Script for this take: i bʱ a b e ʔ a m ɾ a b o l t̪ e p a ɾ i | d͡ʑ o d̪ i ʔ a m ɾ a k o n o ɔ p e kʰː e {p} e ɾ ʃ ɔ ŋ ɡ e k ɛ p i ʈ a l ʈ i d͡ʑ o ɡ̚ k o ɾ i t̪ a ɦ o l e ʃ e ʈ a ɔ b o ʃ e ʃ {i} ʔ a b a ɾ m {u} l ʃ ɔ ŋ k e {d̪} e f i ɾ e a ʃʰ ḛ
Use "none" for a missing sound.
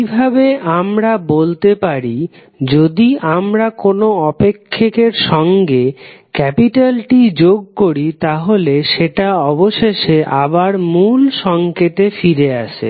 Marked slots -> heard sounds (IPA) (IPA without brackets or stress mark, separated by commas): k, e, u, t̪